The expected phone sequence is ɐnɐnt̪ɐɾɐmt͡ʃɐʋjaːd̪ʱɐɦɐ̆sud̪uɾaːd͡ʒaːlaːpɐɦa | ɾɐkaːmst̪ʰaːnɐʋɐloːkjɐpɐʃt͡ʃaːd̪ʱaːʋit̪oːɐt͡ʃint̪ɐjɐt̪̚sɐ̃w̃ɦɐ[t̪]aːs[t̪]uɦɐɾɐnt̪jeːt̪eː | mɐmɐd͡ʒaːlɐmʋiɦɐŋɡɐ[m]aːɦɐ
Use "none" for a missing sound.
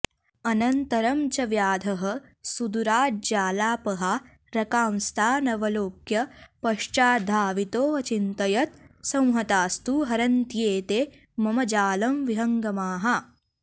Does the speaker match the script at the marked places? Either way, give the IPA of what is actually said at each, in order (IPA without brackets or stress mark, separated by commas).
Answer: t̪, t̪, m